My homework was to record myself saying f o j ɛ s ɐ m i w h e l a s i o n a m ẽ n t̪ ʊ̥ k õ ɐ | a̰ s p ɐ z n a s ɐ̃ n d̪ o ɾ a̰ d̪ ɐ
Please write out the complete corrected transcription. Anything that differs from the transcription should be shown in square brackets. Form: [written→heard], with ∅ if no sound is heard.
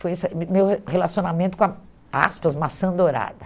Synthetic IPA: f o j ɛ s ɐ m [i→e] w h e l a s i o n a m ẽ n t̪ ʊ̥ k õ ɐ | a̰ s p ɐ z [n→m] a s ɐ̃ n d̪ o ɾ a̰ d̪ ɐ